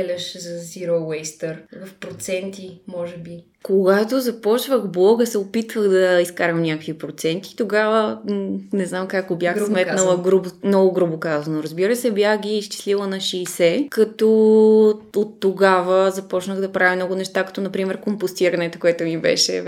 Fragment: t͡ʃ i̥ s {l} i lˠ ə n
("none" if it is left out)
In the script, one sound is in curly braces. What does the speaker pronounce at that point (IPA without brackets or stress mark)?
l